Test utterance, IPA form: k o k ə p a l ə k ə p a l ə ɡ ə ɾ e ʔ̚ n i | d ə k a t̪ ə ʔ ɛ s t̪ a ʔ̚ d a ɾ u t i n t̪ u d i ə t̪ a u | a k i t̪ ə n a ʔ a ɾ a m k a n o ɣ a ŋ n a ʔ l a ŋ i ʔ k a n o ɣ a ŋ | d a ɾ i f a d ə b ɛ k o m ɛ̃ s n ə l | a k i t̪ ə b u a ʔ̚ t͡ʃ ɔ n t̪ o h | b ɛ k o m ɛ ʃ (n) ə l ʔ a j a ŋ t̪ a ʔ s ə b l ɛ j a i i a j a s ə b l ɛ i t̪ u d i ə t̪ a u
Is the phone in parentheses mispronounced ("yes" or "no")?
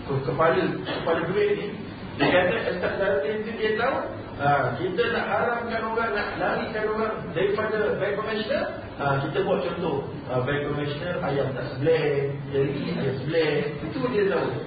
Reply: no